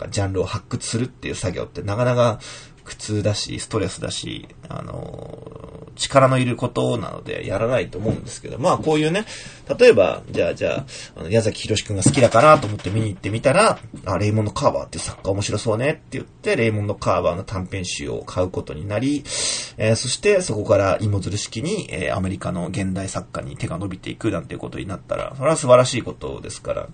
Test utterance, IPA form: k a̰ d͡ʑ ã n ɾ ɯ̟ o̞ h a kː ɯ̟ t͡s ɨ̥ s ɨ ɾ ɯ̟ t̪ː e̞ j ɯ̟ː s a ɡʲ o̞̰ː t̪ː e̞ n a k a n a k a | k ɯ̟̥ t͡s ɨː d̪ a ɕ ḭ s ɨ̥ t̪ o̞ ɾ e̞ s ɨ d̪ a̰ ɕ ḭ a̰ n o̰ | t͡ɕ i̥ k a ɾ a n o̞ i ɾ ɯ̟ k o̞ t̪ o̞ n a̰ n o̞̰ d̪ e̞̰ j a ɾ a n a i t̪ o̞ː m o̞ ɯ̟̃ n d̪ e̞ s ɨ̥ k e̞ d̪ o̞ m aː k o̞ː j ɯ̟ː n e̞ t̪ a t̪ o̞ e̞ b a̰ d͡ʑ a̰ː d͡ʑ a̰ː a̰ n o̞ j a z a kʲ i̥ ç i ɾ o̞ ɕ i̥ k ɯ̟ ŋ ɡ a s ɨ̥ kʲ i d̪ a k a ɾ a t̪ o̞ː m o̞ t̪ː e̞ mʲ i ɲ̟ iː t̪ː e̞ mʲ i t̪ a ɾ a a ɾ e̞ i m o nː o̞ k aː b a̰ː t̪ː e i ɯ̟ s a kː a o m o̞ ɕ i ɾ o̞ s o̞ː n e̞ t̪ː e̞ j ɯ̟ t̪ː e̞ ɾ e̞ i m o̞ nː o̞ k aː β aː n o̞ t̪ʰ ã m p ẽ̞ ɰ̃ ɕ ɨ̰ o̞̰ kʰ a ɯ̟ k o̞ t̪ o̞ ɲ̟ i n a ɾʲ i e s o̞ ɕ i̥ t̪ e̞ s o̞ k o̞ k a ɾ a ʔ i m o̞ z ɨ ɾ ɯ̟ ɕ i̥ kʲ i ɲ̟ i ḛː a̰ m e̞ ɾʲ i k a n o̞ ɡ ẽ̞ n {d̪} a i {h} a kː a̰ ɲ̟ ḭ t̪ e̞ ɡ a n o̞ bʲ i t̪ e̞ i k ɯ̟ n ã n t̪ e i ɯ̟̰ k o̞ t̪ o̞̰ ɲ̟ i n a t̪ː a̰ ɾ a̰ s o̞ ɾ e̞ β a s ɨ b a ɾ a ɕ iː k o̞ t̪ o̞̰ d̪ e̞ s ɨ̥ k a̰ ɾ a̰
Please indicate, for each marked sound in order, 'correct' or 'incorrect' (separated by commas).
correct, incorrect